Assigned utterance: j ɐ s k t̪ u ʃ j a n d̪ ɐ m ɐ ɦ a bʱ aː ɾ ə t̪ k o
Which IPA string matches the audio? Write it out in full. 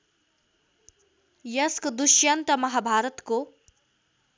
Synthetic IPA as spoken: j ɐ s k d̪ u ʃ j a n t̪ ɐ m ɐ ɦ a bʱ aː ɾ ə t̪ k o